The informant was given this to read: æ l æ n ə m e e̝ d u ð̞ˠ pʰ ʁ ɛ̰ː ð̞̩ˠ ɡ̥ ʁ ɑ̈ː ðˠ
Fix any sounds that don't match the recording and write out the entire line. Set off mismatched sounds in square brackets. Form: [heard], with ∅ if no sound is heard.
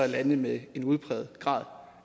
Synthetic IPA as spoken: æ l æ n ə m e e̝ [n] u ð̞ˠ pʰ ʁ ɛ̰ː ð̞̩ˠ ɡ̥ ʁ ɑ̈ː ðˠ